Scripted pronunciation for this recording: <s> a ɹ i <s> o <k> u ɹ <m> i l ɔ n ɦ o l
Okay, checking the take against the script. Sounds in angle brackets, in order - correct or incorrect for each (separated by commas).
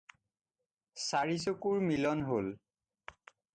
correct, correct, correct, correct